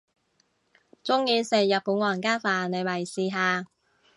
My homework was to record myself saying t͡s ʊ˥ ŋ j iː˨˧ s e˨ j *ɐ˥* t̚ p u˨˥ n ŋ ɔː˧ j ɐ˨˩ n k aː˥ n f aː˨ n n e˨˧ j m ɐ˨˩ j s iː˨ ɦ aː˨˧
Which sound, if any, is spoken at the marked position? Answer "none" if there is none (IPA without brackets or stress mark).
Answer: ɐ˨